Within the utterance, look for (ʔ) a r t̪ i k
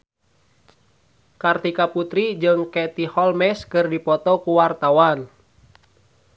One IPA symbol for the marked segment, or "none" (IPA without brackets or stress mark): k